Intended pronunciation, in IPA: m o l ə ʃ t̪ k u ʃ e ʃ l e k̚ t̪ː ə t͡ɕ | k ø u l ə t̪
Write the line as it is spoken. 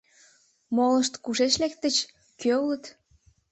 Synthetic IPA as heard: m o l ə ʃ t̪ k u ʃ e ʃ l e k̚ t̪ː ə t͡ɕ | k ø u l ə t̪